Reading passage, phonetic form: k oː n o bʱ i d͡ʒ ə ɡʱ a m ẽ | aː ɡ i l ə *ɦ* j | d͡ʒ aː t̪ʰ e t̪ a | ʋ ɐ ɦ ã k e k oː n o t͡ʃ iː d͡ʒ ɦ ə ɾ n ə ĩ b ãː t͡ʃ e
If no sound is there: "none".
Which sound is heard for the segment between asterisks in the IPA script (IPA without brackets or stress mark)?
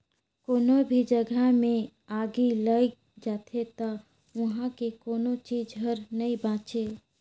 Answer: none